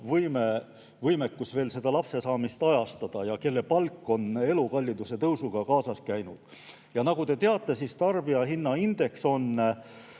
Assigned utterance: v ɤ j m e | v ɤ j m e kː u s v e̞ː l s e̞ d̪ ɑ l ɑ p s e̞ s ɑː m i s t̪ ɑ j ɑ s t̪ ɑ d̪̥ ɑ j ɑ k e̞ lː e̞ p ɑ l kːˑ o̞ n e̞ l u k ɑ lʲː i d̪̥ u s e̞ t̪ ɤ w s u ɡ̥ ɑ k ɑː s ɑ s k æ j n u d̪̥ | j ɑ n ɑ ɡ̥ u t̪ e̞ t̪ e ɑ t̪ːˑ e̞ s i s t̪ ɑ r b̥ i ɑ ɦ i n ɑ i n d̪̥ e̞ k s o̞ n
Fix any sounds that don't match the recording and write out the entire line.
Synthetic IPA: v ɤ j m e | v ɤ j m e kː u s v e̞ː l s e̞ d̪ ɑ l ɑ p s e̞ s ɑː m i s t̪ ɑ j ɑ s t̪ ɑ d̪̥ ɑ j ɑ k e̞ lː e̞ p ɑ l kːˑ o̞ n e̞ l u k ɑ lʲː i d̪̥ u s e̞ t̪ ɤ w s u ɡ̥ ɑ k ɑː s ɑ s k æ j n u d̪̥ | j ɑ n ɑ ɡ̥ u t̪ e̞ t̪ e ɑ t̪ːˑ e̞ s i s t̪ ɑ r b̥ i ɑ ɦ i nː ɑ i n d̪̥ e̞ k s o̞ n

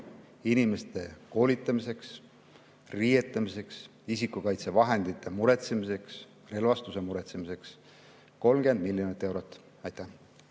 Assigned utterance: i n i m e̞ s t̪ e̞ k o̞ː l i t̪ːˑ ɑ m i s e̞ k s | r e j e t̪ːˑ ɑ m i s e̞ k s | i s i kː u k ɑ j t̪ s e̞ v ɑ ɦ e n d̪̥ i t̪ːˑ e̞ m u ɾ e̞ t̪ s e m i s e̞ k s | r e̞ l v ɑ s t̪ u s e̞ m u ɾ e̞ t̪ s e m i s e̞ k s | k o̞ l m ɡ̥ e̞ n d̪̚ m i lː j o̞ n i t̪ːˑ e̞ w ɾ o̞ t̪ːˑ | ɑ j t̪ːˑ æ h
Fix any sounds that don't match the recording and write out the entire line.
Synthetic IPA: i n i m e̞ s t̪ e̞ k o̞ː l i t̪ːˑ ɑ m i s e̞ k s | r i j e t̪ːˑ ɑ m i s e̞ k s | i s i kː u k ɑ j t̪ s e̞ v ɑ ɦ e n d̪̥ i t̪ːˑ e̞ m u ɾ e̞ t̪ s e m i s e̞ k s | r e̞ l v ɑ s t̪ u s e̞ m u ɾ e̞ t̪ s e m i s e̞ k s | k o̞ l m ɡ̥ e̞ n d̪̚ m i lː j o̞ n i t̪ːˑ e̞ w ɾ o̞ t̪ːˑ | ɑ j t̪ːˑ æ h

